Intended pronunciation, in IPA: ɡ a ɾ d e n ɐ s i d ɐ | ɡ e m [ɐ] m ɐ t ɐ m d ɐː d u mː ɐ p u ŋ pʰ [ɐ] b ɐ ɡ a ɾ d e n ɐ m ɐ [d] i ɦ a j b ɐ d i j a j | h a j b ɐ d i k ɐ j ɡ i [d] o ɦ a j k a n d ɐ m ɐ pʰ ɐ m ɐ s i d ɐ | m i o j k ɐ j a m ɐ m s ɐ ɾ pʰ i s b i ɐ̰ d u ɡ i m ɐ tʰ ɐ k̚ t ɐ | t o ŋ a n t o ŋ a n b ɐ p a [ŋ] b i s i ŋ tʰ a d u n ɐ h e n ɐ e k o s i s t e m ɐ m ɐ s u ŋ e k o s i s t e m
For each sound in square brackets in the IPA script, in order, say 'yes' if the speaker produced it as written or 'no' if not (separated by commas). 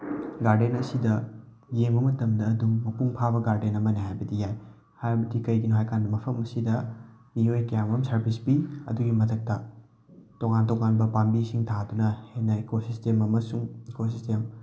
yes, no, no, no, no